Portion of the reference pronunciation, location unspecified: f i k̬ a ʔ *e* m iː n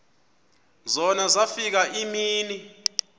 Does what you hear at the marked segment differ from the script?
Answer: yes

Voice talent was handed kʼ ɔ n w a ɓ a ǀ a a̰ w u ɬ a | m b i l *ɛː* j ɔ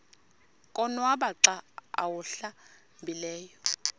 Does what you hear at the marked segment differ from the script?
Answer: no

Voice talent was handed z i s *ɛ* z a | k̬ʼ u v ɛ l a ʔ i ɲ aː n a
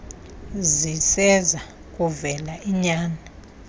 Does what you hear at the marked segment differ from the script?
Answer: no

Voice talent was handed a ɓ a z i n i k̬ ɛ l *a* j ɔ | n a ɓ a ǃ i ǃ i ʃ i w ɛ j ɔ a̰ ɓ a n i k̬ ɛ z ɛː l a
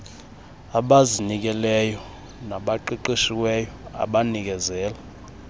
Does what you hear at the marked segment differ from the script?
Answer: yes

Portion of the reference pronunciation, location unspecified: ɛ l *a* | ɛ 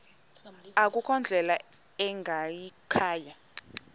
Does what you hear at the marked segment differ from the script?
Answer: no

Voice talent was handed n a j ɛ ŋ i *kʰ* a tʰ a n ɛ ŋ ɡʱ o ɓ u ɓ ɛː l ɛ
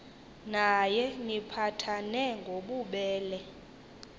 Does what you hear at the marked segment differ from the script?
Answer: yes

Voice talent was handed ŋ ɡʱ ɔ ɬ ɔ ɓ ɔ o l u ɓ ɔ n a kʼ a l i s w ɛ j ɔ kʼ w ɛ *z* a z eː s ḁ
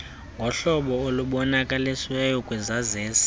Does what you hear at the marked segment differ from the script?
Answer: no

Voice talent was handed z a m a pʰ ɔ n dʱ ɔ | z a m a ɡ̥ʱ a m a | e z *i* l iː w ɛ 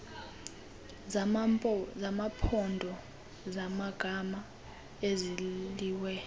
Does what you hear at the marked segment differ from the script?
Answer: no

